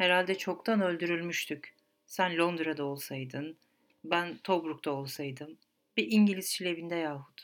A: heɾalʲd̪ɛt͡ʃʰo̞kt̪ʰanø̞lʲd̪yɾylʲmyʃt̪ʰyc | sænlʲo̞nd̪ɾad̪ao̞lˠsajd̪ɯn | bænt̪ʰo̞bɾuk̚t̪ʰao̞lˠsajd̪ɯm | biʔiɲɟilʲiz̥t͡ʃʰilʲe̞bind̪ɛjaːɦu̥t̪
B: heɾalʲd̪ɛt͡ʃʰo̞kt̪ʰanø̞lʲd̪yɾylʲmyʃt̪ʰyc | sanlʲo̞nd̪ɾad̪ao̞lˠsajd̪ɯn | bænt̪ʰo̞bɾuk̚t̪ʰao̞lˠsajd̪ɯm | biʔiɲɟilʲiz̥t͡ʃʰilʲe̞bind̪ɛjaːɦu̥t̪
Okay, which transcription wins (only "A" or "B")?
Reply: A